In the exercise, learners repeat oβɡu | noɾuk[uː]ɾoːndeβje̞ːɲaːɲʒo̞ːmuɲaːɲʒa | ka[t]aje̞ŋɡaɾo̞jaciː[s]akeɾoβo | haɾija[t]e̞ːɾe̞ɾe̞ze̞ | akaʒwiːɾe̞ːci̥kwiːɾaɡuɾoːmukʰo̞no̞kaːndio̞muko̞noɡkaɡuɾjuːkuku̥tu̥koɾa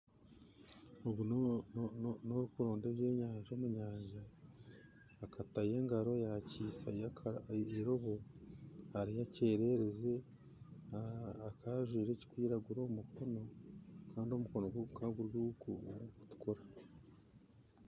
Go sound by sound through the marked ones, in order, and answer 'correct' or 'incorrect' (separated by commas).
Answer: incorrect, correct, correct, incorrect